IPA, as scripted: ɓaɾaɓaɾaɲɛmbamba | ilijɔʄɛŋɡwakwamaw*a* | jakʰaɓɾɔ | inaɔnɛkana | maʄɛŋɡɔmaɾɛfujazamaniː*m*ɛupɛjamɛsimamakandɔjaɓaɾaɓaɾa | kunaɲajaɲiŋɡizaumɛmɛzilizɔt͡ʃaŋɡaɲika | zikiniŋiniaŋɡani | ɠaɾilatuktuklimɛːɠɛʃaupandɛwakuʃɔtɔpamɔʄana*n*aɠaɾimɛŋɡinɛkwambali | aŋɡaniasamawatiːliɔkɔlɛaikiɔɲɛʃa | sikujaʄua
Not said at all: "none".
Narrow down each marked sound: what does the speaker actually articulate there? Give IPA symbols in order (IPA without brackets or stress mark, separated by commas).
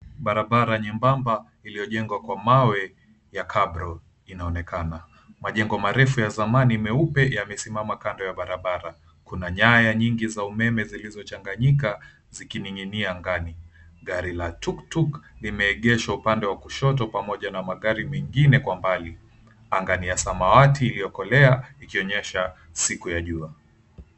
ɛ, m, m